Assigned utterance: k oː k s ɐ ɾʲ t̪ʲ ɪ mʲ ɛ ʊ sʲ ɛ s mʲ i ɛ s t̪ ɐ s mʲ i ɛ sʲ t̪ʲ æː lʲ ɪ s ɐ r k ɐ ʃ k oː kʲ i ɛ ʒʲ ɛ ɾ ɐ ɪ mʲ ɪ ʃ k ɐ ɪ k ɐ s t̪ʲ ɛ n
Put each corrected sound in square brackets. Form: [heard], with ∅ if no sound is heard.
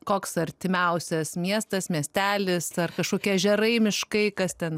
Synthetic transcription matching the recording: k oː k s ɐ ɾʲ t̪ʲ ɪ mʲ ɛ ʊ sʲ ɛ s mʲ i ɛ s t̪ ɐ s mʲ i ɛ sʲ t̪ʲ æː lʲ ɪ s ɐ r k ɐ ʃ k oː kʲ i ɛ ʒʲ ɛ ɾ ɐ ɪ mʲ ɪ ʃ k ɐ ɪ k ɐ s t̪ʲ ɛ n